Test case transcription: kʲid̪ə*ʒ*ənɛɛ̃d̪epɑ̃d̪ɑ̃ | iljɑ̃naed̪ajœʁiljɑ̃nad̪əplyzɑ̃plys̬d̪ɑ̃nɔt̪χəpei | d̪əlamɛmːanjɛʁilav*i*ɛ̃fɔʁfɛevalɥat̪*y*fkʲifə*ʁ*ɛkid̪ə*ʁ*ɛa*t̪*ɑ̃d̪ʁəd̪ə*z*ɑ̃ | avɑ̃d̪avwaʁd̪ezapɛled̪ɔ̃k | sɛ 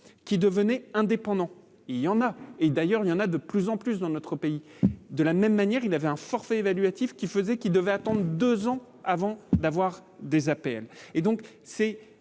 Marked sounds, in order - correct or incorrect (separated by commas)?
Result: incorrect, incorrect, incorrect, incorrect, incorrect, correct, correct